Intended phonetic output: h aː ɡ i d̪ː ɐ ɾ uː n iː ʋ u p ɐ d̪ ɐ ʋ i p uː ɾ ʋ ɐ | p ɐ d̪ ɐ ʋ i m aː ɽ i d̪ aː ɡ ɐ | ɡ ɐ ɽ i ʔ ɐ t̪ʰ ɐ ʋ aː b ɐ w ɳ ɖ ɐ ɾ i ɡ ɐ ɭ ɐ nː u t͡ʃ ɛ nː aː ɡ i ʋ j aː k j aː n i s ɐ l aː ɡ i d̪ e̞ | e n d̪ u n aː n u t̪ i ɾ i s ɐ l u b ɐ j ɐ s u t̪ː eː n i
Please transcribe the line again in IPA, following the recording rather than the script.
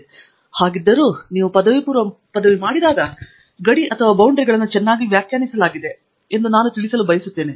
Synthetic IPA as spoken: h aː ɡ i d̪ː ɐ ɾ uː n iː ʋ u p ɐ d̪ ɐ ʋ i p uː ɾ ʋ ɐ | p ɐ d̪ ɐ ʋ i m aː ɽ i d̪ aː ɡ ɐ | ɡ ɐ ɽ i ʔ ɐ t̪ʰ ɐ ʋ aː b ɐ w ɳ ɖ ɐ ɾ i ɡ ɐ ɭ ɐ nː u t͡ʃ ɛ nː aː ɡ i ʋ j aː k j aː n i s ɐ l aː ɡ i d̪ e̞ | e n d̪ u n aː n u t̪ i ɭ i s ɐ l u b ɐ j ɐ s u t̪ː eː n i